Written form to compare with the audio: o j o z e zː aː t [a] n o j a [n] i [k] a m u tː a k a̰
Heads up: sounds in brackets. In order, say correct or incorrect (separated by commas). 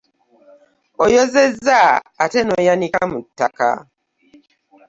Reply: incorrect, correct, correct